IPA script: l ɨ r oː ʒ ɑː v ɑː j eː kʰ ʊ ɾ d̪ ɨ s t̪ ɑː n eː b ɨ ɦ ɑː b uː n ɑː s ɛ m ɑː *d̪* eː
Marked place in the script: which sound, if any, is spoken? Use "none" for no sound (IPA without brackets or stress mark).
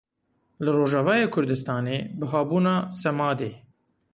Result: d̪